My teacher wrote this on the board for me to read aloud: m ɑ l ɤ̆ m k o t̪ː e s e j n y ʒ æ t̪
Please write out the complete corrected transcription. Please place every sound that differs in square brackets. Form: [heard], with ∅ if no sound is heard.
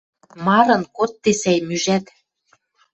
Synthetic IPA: m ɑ [ɾ] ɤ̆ [n] k o t̪ː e s [æ] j [m] y ʒ æ t̪